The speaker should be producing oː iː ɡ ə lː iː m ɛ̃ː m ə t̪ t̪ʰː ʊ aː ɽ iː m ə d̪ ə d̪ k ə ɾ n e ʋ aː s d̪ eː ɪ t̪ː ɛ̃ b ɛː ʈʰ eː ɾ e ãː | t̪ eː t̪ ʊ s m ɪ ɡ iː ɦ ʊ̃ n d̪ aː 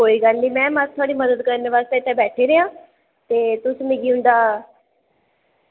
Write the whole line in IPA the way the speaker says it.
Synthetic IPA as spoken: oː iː ɡ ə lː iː m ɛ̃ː m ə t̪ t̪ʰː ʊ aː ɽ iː m ə d̪ ə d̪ k ə ɾ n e ʋ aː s t̪ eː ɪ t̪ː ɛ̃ b ɛː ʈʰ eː ɾ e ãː | t̪ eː t̪ ʊ s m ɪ ɡ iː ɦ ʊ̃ n d̪ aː

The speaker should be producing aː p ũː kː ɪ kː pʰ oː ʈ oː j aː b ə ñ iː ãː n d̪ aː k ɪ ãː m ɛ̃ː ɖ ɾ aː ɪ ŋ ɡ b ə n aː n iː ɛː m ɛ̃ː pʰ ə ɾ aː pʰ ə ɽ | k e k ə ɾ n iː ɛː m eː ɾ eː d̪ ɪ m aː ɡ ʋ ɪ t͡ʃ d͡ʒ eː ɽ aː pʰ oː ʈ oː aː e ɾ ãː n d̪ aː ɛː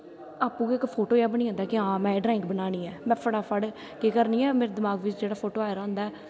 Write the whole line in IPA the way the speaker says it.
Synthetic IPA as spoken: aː p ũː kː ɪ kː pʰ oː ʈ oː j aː b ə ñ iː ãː n d̪ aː k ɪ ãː m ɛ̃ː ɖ ɾ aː ɪ ŋ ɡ b ə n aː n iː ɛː m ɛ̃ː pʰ ə ɽ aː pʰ ə ɽ | k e k ə ɾ n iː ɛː m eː ɾ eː d̪ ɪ m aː ɡ ʋ ɪ t͡ʃ d͡ʒ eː ɽ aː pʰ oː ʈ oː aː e ɾ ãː n d̪ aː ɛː

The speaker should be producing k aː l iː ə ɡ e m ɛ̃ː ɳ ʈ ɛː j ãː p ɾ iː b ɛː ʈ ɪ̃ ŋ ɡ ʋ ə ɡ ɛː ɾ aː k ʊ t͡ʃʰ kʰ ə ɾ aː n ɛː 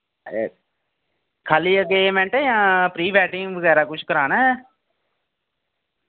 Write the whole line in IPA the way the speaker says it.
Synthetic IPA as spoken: kʰ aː l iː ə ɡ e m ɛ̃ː ɳ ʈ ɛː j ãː p ɾ iː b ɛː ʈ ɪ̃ ŋ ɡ ʋ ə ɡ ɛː ɾ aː k ʊ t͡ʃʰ k ə ɾ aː n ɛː

